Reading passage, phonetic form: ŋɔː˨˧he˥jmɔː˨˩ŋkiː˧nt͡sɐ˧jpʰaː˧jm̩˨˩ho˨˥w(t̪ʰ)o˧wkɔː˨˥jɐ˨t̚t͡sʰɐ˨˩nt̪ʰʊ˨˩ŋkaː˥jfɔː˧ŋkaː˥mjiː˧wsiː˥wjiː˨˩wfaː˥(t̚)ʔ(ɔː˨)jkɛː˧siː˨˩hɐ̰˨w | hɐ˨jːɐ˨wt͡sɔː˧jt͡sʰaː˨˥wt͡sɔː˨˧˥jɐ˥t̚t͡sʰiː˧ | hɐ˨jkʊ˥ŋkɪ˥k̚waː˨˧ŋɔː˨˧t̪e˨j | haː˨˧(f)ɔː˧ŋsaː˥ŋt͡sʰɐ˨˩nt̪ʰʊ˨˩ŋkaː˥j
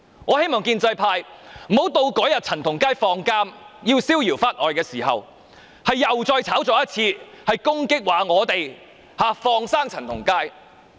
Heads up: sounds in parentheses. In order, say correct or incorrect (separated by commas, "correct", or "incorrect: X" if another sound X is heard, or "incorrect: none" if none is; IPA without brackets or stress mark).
incorrect: t̪, correct, correct, correct